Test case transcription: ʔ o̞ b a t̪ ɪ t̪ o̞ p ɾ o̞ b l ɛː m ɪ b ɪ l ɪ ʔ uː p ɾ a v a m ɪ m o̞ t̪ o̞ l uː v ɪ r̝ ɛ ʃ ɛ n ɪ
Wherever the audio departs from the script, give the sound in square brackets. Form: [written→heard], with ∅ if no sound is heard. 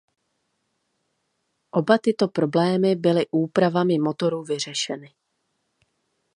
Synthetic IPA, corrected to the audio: ʔ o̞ b a t̪ ɪ t̪ o̞ p ɾ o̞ b l ɛː m ɪ b ɪ l ɪ ʔ uː p ɾ a v a m ɪ m o̞ t̪ o̞ [l→ɾ] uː v ɪ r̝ ɛ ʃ ɛ n ɪ